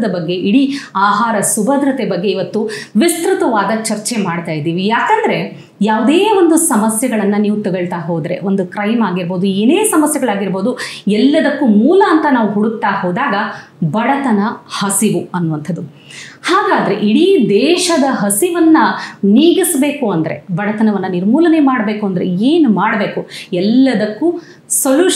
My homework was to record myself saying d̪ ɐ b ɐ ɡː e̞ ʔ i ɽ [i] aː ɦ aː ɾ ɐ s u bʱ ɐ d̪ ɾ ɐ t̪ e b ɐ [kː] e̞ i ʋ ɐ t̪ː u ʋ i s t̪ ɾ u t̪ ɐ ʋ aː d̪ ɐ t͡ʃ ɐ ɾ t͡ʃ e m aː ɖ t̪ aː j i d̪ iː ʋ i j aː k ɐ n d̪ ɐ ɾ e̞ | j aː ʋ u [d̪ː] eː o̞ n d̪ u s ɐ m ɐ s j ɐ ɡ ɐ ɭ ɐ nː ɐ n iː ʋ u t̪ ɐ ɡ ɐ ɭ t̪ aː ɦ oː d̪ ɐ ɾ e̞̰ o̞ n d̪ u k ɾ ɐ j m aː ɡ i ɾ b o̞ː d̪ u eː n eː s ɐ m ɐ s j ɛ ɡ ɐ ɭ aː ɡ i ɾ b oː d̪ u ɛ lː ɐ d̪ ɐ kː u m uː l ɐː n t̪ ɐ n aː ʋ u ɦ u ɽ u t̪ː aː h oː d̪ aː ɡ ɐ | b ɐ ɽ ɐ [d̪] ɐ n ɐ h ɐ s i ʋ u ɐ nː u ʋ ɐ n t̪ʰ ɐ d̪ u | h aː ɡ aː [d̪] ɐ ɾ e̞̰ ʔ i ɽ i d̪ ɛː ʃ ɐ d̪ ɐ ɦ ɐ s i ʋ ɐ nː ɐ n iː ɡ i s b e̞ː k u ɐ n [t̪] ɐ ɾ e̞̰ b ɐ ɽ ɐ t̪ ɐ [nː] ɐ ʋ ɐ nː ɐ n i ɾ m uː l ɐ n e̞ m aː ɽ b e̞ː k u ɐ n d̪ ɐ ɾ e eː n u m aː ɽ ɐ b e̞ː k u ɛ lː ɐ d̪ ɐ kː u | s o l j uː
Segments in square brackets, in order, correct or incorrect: correct, incorrect: ɡː, incorrect: d̪, incorrect: t̪, correct, incorrect: d̪, incorrect: n

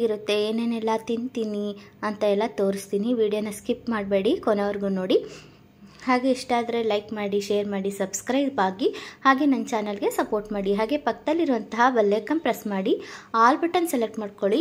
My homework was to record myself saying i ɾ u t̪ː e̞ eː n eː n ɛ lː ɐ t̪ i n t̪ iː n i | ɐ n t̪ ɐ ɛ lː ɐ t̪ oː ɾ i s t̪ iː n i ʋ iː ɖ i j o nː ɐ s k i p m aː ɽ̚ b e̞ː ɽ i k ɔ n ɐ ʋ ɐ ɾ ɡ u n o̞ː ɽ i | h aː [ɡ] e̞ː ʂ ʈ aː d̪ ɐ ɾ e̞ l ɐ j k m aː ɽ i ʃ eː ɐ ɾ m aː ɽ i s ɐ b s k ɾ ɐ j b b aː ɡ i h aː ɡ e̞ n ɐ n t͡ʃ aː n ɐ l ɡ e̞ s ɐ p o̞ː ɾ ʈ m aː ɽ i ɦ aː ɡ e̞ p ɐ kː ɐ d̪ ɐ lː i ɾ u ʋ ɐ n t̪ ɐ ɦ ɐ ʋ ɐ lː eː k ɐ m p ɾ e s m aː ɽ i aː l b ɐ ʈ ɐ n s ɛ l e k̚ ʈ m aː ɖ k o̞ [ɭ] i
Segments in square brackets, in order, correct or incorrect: correct, correct

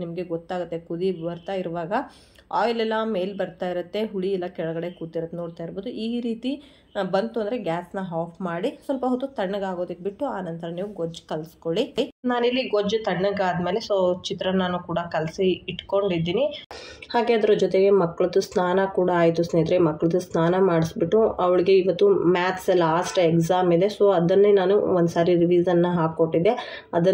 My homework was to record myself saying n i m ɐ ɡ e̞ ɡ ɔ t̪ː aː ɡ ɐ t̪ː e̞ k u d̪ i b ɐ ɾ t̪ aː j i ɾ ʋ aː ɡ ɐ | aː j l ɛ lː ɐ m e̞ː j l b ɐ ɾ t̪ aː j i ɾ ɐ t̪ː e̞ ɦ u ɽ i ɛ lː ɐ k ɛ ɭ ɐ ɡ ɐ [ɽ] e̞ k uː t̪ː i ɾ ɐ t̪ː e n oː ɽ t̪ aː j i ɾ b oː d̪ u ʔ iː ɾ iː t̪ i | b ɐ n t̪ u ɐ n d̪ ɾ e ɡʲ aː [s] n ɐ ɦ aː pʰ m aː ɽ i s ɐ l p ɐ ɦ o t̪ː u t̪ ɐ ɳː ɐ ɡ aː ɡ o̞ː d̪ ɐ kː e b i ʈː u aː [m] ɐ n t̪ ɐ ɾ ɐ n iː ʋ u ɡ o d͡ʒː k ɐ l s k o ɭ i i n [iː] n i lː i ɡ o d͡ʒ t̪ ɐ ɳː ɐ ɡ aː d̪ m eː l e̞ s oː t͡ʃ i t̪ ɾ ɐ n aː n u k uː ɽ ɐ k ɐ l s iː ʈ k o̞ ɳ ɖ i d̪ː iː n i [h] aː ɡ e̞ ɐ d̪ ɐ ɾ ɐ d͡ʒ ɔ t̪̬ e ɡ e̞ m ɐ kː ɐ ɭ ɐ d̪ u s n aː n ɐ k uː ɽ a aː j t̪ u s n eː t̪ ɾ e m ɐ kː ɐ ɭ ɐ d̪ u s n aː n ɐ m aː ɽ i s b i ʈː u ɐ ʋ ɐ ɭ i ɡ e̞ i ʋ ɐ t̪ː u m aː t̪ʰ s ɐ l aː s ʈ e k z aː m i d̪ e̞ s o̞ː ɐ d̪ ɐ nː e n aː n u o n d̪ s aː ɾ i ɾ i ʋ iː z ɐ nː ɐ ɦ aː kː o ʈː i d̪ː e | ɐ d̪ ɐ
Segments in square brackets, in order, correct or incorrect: correct, correct, incorrect: n, incorrect: aː, correct

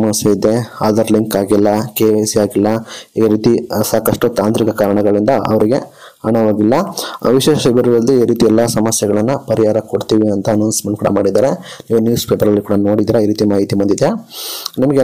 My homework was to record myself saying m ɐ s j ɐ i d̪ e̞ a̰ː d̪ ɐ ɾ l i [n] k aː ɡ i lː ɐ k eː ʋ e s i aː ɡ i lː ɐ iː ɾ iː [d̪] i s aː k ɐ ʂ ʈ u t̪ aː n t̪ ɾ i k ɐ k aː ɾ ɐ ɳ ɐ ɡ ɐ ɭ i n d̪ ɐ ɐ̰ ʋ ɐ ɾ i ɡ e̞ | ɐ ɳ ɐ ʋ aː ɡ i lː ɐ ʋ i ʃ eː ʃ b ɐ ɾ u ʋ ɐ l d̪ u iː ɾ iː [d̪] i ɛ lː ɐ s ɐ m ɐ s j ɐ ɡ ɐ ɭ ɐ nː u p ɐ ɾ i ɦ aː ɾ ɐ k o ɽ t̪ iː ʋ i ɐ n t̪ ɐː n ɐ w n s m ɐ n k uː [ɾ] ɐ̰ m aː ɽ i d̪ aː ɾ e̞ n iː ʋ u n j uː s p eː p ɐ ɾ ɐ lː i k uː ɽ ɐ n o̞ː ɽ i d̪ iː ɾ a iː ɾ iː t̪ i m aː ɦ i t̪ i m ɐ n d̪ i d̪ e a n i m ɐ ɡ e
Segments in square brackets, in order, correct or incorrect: incorrect: ŋ, incorrect: t̪, incorrect: t̪, incorrect: ɽ

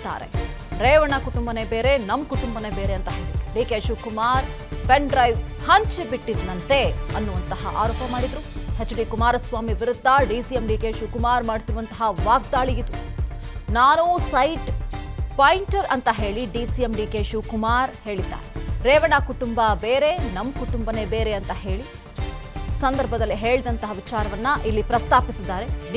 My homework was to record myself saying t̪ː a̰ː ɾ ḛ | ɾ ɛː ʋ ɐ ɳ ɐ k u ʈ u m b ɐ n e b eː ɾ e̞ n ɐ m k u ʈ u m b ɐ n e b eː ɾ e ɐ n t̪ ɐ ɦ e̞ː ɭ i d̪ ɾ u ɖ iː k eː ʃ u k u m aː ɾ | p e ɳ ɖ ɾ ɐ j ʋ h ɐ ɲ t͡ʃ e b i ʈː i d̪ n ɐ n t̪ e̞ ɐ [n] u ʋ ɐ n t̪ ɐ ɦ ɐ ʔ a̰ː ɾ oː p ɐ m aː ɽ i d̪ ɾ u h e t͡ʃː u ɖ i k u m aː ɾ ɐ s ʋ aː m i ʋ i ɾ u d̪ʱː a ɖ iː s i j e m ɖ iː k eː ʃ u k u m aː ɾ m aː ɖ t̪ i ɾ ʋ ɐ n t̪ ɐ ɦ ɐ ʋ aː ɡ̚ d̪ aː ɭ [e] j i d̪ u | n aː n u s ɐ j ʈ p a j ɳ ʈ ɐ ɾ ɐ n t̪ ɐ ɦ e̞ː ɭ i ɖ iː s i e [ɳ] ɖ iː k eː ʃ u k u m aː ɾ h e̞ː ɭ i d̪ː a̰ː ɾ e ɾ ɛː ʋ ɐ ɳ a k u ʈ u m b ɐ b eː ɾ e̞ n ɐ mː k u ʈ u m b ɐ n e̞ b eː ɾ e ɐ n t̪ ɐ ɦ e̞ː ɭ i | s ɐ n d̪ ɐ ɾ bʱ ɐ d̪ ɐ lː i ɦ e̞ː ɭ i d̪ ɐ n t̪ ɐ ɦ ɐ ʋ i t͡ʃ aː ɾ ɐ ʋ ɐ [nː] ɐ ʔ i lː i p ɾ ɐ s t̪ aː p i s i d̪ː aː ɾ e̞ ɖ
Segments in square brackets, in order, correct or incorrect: incorrect: nː, incorrect: i, incorrect: m, correct

